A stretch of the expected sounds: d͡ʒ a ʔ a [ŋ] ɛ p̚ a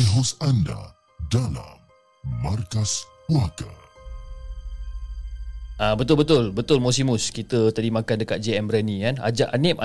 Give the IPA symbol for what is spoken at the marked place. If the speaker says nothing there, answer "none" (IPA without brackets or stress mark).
n